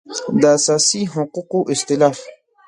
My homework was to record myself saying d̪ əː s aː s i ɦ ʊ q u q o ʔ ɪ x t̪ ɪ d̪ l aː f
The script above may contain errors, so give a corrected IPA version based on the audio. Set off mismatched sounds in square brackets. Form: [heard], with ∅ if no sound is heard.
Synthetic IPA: d̪ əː s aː s i ɦ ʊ q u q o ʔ ɪ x t̪ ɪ [∅] l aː f